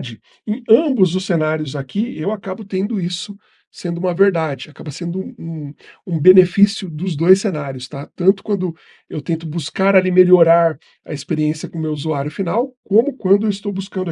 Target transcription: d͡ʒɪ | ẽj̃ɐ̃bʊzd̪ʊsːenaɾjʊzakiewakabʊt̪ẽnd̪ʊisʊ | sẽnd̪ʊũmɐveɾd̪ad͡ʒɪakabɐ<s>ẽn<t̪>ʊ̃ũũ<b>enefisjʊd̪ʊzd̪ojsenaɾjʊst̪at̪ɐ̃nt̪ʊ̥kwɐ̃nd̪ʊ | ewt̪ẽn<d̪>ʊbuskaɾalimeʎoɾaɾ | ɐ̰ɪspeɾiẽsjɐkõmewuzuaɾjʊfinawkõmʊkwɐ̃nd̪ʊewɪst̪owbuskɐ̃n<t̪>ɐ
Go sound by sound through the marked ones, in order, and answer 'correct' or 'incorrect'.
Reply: correct, incorrect: d̪, correct, incorrect: t̪, incorrect: d̪

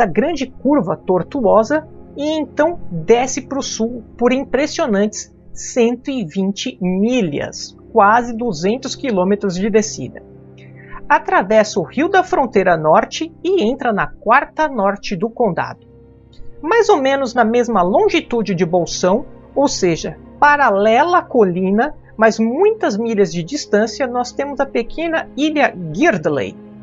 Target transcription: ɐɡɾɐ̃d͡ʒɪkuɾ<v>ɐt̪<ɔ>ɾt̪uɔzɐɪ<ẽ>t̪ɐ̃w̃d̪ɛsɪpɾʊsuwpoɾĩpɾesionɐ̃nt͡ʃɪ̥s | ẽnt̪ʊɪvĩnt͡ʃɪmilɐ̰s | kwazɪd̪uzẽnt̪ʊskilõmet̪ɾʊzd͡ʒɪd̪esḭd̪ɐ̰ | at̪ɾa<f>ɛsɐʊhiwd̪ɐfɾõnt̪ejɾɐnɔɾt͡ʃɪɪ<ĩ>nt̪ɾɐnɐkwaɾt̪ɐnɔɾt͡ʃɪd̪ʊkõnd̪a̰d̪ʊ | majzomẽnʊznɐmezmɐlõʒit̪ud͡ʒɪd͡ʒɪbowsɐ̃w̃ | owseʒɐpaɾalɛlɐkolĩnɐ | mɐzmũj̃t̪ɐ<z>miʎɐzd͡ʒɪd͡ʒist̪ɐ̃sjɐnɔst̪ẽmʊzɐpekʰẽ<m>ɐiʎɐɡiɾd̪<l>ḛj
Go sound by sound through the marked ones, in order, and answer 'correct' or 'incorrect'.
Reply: correct, incorrect: o, correct, incorrect: v, incorrect: ẽ, correct, incorrect: n, correct

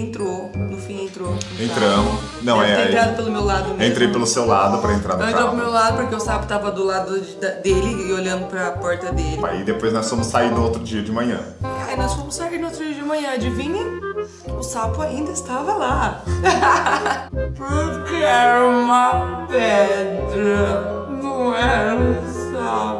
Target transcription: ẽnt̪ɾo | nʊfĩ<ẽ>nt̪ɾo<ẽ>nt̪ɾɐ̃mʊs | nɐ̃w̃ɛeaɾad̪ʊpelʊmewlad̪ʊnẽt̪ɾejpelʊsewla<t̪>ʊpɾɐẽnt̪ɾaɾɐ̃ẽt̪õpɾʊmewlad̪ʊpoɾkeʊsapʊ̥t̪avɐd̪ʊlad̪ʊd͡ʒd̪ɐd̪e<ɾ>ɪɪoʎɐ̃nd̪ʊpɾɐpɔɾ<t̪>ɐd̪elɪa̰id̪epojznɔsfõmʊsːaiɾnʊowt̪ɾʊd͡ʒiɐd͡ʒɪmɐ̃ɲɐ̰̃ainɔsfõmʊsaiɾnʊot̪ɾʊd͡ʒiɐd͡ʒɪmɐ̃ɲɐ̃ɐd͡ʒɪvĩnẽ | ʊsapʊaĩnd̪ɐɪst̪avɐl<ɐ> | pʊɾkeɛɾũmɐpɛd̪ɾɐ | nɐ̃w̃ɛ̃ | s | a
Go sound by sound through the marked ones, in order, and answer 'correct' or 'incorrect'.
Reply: correct, correct, incorrect: d̪, incorrect: l, correct, incorrect: a

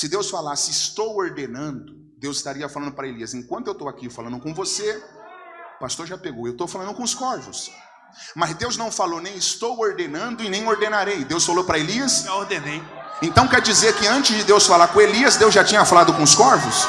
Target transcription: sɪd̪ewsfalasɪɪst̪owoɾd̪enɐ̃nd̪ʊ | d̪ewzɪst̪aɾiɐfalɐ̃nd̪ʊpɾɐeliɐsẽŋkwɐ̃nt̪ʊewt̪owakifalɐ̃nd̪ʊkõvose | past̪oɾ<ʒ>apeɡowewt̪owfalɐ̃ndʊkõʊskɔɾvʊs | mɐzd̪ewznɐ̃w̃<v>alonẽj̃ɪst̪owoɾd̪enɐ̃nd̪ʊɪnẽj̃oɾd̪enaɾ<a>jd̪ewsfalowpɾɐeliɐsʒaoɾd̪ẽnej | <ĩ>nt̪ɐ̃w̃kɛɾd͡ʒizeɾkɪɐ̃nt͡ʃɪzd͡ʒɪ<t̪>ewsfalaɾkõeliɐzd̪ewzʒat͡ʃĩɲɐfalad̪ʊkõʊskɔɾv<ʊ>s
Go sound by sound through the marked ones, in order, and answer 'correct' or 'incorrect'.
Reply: correct, incorrect: f, incorrect: e, incorrect: ẽ, incorrect: d̪, correct

